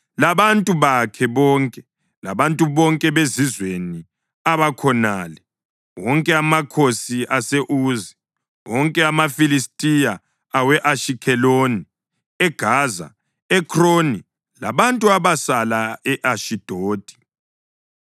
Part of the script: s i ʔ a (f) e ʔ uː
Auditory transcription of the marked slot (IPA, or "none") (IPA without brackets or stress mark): s